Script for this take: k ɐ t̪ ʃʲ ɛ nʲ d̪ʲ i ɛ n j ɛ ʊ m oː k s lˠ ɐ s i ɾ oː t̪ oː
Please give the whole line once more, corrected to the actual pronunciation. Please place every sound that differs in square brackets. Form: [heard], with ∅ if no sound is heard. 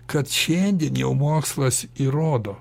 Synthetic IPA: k ɐ t̪ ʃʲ ɛ nʲ d̪ʲ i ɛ n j ɛ ʊ m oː k s lˠ ɐ s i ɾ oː [d̪] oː